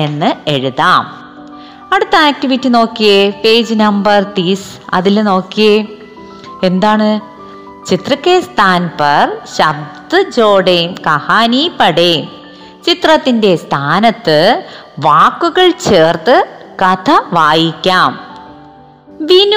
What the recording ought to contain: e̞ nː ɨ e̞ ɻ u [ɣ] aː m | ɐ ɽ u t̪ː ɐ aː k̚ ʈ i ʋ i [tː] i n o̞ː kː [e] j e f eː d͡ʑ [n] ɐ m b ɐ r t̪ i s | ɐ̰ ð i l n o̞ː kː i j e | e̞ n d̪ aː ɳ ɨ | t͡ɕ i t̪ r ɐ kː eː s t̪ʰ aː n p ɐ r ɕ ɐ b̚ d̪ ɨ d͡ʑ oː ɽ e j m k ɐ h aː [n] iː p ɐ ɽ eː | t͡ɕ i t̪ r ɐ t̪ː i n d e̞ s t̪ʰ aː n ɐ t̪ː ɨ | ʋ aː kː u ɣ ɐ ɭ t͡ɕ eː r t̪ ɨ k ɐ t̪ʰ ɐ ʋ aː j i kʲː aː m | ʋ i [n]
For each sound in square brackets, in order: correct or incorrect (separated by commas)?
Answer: incorrect, correct, incorrect, correct, correct, correct